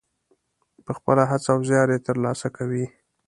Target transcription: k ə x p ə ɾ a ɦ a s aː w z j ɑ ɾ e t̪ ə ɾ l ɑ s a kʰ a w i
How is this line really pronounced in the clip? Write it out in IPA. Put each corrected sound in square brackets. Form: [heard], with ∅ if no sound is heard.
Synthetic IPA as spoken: [p] ə x p ə [l] a ɦ a [t͡s] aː w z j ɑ ɾ e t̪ ə ɾ l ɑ s a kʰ a w i